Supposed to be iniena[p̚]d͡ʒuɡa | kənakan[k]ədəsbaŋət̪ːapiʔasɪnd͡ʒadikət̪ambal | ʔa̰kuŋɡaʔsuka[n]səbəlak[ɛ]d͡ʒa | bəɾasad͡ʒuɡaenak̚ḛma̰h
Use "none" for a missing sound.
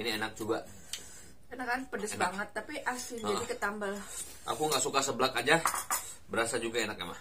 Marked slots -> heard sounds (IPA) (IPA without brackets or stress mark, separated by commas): k̚, p, none, a